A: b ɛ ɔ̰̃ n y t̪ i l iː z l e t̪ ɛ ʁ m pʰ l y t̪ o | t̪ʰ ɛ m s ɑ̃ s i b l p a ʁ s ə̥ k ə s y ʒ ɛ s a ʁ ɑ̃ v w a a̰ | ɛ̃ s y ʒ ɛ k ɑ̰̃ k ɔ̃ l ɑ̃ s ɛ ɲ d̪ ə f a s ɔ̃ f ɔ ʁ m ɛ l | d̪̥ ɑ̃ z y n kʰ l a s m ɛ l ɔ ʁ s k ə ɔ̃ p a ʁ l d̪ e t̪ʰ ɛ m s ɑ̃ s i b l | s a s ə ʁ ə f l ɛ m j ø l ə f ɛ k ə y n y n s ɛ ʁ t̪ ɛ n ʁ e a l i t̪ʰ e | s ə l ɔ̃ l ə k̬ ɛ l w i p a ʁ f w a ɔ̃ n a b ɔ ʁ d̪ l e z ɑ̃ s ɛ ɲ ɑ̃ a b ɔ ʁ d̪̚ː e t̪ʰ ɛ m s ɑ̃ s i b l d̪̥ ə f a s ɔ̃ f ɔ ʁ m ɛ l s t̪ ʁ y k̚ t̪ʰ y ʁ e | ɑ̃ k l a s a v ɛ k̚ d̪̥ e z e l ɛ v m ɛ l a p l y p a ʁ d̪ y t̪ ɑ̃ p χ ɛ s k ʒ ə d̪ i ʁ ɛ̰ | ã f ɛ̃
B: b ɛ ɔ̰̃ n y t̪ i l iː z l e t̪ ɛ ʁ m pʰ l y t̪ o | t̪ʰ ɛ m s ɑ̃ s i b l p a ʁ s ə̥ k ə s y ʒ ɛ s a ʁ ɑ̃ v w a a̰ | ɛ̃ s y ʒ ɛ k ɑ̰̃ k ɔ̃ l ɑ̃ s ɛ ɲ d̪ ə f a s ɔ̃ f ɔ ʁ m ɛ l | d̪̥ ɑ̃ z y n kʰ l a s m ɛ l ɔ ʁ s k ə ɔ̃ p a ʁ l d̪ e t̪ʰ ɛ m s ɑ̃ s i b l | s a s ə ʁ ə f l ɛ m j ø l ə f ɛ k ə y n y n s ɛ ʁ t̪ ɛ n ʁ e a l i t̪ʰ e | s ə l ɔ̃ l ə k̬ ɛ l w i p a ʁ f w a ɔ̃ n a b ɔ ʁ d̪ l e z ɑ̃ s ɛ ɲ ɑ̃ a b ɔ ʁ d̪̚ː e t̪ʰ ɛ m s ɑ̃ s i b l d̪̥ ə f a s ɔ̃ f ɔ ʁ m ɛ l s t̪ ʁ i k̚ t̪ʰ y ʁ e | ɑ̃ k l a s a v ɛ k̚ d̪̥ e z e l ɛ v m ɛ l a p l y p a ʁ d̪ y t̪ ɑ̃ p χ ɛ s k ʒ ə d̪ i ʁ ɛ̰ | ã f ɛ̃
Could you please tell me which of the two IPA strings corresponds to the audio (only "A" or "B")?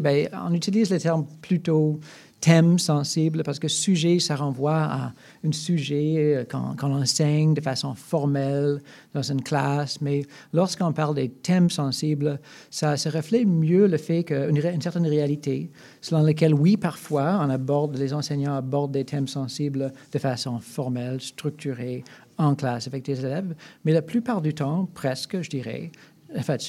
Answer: A